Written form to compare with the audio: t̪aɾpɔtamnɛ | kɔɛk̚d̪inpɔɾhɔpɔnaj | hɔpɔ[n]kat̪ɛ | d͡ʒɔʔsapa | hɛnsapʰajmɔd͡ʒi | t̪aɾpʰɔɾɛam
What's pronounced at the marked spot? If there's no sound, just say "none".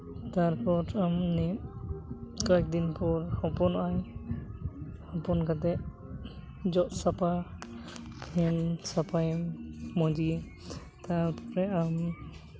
n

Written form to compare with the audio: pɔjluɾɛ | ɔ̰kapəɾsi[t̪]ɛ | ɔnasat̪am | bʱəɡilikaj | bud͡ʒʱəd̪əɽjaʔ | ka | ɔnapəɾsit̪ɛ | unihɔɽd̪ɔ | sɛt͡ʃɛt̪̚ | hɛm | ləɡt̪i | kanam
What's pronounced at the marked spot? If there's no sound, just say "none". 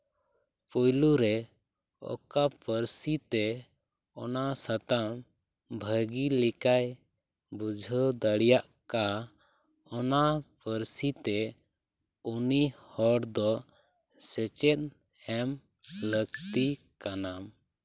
t̪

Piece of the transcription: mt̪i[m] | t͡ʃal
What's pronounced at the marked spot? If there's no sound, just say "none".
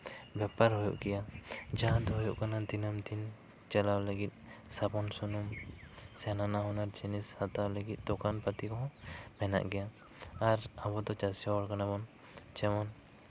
n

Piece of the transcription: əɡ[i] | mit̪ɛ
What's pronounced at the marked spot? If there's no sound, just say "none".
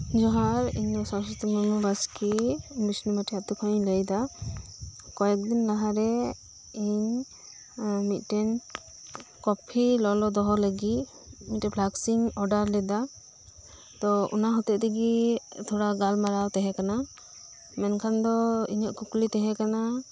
i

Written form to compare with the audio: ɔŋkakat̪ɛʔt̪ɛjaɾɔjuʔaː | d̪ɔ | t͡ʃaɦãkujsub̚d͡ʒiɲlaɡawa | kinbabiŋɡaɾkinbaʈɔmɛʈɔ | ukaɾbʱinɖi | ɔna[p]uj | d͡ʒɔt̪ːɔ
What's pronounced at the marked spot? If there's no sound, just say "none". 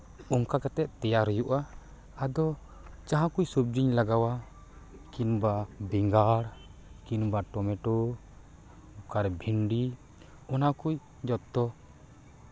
k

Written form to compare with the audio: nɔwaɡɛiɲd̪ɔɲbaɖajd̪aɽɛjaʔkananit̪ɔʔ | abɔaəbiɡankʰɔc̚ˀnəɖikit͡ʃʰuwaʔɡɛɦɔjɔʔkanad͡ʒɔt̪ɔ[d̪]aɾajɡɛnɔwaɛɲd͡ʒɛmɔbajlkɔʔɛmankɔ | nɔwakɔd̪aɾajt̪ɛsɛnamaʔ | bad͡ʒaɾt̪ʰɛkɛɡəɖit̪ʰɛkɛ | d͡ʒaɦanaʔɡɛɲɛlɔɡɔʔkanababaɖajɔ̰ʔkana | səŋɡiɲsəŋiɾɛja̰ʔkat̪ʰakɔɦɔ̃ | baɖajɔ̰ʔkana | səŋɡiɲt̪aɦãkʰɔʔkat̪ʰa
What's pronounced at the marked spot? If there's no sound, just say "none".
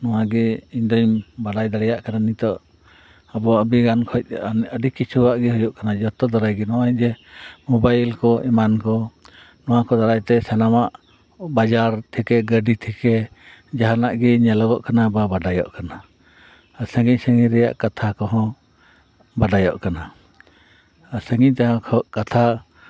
d̪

